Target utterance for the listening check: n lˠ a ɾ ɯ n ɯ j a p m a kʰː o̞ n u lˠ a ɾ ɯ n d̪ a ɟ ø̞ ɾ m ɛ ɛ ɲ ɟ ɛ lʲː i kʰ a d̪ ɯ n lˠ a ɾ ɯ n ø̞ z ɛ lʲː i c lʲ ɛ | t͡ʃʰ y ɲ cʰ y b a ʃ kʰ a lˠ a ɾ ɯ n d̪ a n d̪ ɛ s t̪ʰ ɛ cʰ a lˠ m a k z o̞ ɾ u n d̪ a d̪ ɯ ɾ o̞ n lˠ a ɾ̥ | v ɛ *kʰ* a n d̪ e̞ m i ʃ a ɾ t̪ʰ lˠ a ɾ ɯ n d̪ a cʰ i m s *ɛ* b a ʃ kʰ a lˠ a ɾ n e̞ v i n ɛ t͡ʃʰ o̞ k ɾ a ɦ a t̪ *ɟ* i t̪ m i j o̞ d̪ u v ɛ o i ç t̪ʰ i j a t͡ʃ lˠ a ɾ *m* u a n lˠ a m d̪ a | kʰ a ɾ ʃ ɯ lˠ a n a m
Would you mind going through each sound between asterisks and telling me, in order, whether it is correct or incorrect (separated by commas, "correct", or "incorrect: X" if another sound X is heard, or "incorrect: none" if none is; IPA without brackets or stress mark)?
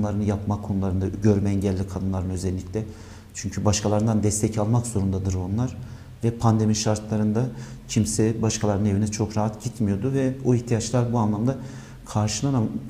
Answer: incorrect: pʰ, correct, correct, incorrect: b